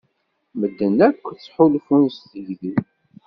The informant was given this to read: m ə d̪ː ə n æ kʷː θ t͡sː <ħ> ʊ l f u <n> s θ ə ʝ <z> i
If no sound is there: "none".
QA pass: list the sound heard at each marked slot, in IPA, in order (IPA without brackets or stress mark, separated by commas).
ħ, n, ð